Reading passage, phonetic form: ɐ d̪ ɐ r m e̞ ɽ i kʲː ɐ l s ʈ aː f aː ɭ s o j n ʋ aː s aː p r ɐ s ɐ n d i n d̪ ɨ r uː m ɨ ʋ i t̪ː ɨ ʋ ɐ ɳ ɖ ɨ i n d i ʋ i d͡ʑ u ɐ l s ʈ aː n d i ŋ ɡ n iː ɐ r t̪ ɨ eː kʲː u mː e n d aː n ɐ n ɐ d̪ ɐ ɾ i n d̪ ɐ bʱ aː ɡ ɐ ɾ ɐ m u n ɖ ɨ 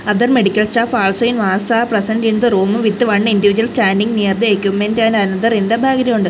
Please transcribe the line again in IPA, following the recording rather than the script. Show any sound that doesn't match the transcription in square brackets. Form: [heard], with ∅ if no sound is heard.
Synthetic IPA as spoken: ɐ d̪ ɐ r m e̞ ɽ i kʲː ɐ l s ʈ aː f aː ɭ s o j n ʋ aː s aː p r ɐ s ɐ n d i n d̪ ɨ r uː m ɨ ʋ i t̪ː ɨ ʋ ɐ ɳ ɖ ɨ i n d i ʋ i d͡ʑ u ɐ l s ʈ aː n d i ŋ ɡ n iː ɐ r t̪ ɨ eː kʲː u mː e n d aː n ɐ n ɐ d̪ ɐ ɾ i n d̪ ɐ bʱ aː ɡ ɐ ɾ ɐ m u [ɳ] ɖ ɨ